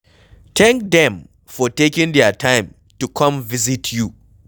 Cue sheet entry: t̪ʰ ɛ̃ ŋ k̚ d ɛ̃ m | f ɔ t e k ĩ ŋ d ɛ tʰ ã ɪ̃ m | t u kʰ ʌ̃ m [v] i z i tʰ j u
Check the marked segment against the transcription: correct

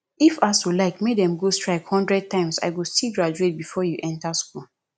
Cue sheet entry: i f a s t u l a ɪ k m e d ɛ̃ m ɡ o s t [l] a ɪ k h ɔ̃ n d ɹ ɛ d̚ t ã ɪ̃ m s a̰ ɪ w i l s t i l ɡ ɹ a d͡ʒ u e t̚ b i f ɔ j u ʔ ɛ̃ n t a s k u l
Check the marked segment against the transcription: incorrect: ɹ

